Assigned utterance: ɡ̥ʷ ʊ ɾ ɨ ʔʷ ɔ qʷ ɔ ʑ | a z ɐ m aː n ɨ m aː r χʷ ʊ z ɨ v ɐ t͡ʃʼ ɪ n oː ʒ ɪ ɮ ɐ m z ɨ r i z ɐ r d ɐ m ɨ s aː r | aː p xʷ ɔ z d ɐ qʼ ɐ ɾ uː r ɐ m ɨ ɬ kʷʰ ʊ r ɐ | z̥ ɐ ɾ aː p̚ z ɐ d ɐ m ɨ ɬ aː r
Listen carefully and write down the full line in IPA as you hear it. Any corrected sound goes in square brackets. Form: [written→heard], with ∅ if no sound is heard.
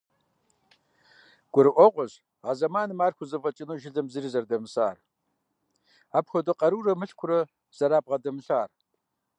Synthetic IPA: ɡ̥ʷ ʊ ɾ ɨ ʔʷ ɔ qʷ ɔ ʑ | a z ɐ m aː n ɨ m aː r [χʷ→xʷ] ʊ z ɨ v ɐ t͡ʃʼ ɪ n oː ʒ ɪ ɮ ɐ m z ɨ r i z ɐ r d ɐ m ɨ s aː r | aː p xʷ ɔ [z→∅] d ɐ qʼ ɐ ɾ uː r ɐ m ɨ ɬ kʷʰ ʊ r ɐ | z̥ ɐ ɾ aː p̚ [z→ʁ] ɐ d ɐ m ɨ ɬ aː r

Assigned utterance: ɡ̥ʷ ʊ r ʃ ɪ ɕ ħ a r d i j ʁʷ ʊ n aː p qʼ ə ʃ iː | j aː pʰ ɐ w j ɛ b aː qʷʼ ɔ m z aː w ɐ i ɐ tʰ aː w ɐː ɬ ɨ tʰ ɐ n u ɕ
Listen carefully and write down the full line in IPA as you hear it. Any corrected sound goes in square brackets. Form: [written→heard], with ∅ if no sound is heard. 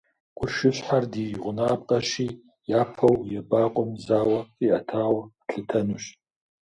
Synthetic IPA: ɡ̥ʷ ʊ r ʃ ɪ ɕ ħ a r d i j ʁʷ ʊ n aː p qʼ [ə→ɐ] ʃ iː | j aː pʰ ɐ w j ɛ b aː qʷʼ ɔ m z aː w ɐ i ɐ tʰ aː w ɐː ɬ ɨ tʰ ɐ n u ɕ

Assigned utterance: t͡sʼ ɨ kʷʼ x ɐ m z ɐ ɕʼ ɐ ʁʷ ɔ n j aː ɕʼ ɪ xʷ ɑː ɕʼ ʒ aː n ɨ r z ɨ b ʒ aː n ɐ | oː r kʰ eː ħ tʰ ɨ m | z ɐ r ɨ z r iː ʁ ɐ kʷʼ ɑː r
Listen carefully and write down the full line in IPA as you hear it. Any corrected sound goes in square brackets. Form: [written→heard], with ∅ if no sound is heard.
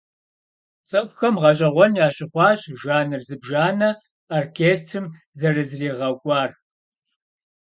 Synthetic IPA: t͡sʼ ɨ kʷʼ x ɐ m [z→ʁ] ɐ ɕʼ ɐ ʁʷ ɔ n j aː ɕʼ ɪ [xʷ→χʷ] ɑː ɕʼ ʒ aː n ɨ r z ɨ b ʒ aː n ɐ | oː r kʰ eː [ħ→s] tʰ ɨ m | z ɐ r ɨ z r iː ʁ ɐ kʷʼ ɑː r

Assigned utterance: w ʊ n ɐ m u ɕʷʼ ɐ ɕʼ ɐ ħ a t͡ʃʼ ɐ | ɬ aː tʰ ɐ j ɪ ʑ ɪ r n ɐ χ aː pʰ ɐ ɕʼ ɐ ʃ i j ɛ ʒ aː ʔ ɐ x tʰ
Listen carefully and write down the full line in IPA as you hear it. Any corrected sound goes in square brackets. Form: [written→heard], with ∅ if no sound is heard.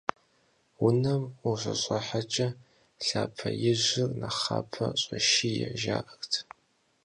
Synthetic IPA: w ʊ n ɐ m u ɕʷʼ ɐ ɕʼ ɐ ħ a t͡ʃʼ ɐ | ɬ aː [tʰ→pʰ] ɐ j ɪ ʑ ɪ r n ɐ χ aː pʰ ɐ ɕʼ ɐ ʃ i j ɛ ʒ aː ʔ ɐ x tʰ

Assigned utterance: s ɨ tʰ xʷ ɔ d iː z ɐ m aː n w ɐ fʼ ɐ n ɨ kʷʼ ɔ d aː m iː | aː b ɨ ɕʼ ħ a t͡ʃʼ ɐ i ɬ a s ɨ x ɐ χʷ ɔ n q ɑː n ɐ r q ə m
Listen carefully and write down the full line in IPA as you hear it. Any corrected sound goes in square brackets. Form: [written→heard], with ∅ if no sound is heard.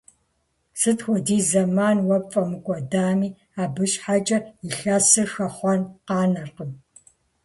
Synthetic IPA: s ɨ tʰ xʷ ɔ d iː z ɐ m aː n w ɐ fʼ ɐ [n→m] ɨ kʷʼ ɔ d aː m iː | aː b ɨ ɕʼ ħ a t͡ʃʼ ɐ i ɬ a s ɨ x ɐ χʷ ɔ n q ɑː n ɐ r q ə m

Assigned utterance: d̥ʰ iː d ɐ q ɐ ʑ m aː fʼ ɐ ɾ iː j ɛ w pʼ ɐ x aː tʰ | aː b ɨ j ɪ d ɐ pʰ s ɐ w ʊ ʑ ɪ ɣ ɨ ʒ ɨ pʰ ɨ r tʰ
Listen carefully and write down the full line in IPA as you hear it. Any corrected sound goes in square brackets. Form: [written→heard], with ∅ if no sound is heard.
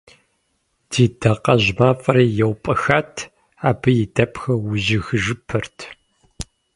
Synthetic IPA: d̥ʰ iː d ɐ q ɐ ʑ m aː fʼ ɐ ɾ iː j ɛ w pʼ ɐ x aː tʰ | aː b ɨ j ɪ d ɐ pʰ [s→x] ɐ w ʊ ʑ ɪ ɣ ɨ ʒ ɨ pʰ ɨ r tʰ

